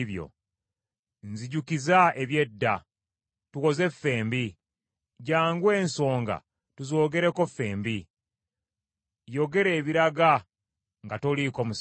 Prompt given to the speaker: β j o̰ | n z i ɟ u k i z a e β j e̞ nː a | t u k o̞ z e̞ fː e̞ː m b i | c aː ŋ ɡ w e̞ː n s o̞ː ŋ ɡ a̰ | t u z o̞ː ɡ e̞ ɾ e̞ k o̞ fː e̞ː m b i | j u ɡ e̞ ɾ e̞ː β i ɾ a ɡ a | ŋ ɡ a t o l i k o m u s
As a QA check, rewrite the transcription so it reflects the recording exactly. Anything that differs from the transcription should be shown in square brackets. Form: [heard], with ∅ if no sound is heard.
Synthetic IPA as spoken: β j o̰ | n z i ɟ u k i z a e β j e̞ [dː] a | t u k o̞ z e̞ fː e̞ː m b i | [ɟ] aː ŋ ɡ w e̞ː n s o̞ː ŋ ɡ a̰ | t u z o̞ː ɡ e̞ ɾ e̞ k o̞ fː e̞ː m b i | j [o] ɡ e̞ ɾ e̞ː β i ɾ a ɡ a | ŋ ɡ a t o l i k o m u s